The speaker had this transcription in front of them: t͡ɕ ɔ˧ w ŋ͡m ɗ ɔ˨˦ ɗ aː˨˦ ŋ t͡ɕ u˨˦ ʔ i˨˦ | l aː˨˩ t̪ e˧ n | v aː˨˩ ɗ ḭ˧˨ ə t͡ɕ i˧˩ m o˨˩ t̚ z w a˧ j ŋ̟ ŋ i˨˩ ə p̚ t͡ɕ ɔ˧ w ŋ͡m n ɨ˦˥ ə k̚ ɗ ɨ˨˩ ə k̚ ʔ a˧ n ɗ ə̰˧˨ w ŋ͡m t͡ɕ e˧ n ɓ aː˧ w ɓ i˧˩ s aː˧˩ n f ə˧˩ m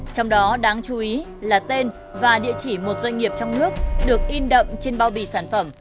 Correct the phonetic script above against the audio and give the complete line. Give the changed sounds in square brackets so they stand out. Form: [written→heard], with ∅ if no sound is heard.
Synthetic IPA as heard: t͡ɕ ɔ˧ w ŋ͡m ɗ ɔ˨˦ ɗ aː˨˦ ŋ t͡ɕ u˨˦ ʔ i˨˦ | l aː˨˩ t̪ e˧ n | v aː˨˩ ɗ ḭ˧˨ ə t͡ɕ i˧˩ m o˨˩ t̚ z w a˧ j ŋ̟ ŋ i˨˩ ə p̚ t͡ɕ ɔ˧ w ŋ͡m n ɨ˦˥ ə k̚ ɗ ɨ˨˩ ə k̚ ʔ [a˧→i˧] n ɗ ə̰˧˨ w ŋ͡m t͡ɕ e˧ n ɓ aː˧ w ɓ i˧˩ s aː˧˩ n f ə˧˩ m

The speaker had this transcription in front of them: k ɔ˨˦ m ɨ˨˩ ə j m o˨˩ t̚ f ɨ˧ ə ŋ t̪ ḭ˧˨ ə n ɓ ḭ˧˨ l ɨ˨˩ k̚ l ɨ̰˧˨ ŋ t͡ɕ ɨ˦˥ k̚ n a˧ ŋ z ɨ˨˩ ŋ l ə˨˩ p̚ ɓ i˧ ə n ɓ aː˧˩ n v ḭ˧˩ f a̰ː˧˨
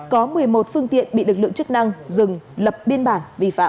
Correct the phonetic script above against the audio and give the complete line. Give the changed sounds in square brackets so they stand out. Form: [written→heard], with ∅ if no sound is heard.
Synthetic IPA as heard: k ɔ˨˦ m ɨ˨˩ ə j m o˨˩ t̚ f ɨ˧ ə ŋ t̪ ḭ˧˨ ə n ɓ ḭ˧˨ l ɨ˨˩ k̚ l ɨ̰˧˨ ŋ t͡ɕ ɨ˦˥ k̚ n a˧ ŋ z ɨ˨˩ ŋ l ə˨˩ p̚ ɓ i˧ ə n ɓ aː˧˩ n v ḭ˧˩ f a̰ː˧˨

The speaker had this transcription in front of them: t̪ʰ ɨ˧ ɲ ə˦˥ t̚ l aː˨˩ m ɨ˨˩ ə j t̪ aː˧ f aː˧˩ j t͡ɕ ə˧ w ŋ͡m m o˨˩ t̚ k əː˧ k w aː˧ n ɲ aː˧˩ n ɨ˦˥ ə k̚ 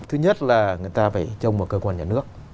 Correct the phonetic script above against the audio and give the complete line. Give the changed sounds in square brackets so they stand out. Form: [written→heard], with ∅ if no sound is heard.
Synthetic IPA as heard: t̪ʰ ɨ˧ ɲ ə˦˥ t̚ l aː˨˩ [m→ŋ] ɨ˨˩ ə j t̪ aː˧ f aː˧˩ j t͡ɕ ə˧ w ŋ͡m m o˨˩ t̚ k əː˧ k w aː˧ n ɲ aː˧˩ n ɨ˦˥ ə k̚

